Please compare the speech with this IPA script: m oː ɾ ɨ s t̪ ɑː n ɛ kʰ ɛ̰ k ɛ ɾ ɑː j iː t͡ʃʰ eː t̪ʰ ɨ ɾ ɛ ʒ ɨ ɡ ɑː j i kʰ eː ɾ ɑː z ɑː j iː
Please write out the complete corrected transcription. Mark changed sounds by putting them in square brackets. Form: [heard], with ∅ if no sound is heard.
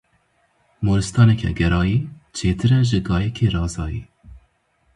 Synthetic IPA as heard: m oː ɾ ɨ s t̪ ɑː n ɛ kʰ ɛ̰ [ɡ] ɛ ɾ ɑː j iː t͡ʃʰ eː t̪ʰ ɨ ɾ ɛ ʒ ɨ ɡ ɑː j [ɛ] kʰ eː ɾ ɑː z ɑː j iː

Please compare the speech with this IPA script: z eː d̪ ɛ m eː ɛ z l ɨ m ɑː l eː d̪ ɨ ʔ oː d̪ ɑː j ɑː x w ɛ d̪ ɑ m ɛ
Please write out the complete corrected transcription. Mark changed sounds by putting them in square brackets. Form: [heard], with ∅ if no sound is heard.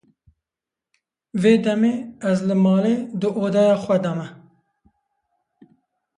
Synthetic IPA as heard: [v] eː d̪ ɛ m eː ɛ z l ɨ m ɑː l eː d̪ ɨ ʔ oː d̪ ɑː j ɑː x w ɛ d̪ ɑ m ɛ

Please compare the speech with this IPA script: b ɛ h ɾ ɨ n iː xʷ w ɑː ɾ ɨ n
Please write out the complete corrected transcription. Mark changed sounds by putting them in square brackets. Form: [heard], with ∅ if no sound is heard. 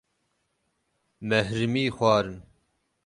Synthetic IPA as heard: [m] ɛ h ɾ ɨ [m] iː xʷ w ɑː ɾ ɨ n

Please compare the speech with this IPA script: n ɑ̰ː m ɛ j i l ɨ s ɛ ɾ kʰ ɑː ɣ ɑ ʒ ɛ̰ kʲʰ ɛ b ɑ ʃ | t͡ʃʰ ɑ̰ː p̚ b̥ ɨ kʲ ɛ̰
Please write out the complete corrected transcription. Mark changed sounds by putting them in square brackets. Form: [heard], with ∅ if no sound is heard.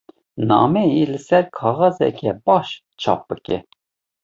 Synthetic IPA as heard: n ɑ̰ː m ɛ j i l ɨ s ɛ ɾ kʰ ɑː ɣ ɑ [z] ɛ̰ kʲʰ ɛ b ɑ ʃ | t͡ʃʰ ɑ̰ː p̚ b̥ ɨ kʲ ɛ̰

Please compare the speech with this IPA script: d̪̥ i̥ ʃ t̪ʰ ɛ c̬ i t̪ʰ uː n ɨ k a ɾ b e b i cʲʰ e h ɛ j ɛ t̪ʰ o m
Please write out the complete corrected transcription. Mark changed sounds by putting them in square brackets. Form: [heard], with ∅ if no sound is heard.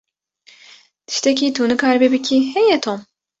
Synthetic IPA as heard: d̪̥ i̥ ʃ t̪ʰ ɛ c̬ i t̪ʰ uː n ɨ k a ɾ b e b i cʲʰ [i] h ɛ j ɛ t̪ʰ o m

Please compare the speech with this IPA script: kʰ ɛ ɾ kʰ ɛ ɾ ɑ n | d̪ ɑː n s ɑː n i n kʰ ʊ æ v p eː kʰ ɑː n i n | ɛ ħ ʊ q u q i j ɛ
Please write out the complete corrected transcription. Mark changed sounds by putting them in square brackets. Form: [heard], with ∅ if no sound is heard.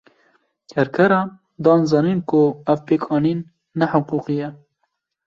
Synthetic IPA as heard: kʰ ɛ ɾ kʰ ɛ ɾ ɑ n | d̪ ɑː n [z] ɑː n i n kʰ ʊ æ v p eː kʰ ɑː n i [nː] | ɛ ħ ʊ q u q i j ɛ

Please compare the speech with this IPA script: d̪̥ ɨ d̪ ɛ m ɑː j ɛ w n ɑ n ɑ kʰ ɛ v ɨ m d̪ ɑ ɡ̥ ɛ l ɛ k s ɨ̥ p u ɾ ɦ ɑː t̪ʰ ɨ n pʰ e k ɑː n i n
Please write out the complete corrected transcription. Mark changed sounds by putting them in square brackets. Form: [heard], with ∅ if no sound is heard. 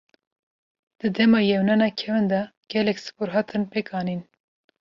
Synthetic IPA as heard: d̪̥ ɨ d̪ ɛ m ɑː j ɛ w n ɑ n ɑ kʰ ɛ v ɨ [n] d̪ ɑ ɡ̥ ɛ l ɛ k s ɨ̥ p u ɾ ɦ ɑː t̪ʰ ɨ n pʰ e k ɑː n i n

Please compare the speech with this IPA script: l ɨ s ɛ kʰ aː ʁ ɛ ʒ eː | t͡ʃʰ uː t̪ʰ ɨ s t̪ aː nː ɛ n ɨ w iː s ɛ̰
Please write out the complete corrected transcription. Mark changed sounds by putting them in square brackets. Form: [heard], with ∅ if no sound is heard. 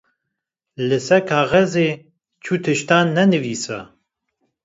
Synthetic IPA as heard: l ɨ s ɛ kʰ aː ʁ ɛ [z] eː | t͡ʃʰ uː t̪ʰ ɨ [ʃ] t̪ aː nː ɛ n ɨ [v] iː s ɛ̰

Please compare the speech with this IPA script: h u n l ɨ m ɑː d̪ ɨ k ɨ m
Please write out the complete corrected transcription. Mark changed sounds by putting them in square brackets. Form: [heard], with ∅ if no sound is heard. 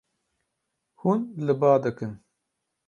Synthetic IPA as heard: h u n l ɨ [b] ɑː d̪ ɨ k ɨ [n]

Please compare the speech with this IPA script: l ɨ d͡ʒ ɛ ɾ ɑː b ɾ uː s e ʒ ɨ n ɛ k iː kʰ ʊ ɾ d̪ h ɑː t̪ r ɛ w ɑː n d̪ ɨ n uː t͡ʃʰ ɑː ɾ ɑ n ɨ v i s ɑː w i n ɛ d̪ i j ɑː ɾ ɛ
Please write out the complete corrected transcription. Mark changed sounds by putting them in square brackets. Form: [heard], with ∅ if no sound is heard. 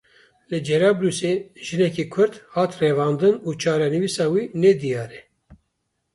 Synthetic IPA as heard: l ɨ d͡ʒ ɛ ɾ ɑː b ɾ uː s e ʒ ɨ n ɛ k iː kʰ ʊ ɾ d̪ h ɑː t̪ r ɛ [v] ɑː n d̪ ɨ n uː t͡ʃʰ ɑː ɾ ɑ n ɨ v i s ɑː w i n ɛ d̪ i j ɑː ɾ ɛ

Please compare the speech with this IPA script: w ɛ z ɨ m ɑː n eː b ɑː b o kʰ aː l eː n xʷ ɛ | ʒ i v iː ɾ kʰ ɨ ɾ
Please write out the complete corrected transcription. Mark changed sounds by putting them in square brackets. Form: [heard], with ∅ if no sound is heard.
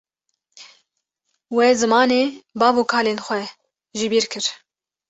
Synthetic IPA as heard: w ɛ z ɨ m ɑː n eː b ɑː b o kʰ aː l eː n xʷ ɛ | ʒ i [b] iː ɾ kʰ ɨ ɾ

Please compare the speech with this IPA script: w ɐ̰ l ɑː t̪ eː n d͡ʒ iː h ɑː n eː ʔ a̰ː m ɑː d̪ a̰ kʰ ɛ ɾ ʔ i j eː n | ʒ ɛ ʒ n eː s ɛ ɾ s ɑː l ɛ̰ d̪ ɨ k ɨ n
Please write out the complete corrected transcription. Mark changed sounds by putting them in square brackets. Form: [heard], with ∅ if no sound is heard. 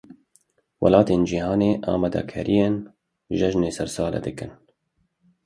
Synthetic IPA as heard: w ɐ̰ l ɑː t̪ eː n d͡ʒ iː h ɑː n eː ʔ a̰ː m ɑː d̪ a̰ kʰ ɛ ɾ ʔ i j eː n | ʒ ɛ ʒ n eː s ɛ ɾ s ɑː l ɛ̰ d̪ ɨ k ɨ n

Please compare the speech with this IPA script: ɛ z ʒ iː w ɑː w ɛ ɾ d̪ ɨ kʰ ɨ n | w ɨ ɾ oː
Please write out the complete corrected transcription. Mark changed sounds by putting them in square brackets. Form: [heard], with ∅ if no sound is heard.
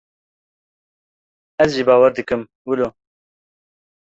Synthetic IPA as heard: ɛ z ʒ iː [b] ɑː w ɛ ɾ d̪ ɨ [k] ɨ [m] | w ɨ [l] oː

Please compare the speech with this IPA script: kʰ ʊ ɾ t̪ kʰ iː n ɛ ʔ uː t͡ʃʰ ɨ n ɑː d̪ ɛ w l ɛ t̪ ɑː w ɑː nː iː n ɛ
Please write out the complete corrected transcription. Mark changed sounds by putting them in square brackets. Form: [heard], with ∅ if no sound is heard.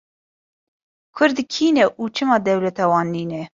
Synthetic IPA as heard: kʰ ʊ ɾ [d̪] kʰ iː n ɛ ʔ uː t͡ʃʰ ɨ [m] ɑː d̪ ɛ w l ɛ t̪ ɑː w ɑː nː iː n ɛ

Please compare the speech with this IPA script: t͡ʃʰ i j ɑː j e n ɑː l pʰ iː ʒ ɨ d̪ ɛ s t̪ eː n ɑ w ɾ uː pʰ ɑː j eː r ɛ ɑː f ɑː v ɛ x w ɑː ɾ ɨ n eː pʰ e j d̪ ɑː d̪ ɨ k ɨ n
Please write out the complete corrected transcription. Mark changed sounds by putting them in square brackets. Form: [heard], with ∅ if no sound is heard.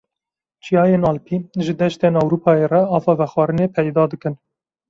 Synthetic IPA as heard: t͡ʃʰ i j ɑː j e n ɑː l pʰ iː ʒ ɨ d̪ ɛ [ʃ] t̪ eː n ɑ w ɾ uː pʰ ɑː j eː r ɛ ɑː f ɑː v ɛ x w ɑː ɾ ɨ n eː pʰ [ɛ] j d̪ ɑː d̪ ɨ k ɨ n

